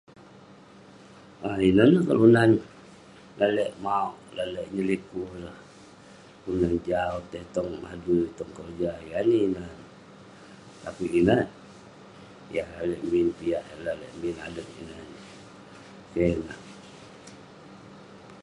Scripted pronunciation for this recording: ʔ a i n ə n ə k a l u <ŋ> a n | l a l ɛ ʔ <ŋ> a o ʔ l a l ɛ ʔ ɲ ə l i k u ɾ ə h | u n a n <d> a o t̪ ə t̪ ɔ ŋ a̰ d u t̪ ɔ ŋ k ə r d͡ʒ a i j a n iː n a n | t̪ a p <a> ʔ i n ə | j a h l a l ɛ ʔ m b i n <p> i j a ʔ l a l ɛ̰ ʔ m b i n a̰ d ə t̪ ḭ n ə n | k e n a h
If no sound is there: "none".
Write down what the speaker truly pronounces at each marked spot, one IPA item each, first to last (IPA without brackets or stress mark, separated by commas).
n, m, d͡ʒ, i, p